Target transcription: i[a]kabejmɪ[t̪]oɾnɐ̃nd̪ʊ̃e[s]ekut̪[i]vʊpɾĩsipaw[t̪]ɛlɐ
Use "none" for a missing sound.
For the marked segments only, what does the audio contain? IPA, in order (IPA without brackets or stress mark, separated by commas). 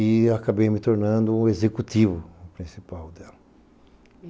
a, t̪, z, i, d̪